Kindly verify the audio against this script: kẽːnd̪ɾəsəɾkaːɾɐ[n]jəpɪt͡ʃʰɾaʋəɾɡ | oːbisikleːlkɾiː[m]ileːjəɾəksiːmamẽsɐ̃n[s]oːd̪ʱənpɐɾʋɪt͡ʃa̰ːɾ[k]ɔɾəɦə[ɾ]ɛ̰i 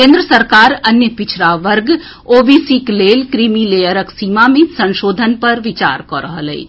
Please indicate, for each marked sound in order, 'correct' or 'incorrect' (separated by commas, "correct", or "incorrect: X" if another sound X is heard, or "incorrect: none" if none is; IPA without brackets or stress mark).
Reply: correct, correct, incorrect: ʃ, correct, incorrect: l